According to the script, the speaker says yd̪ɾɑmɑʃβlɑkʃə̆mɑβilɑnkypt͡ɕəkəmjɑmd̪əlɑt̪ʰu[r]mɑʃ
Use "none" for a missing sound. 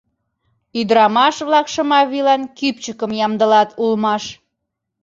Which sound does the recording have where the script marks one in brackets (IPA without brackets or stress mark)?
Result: l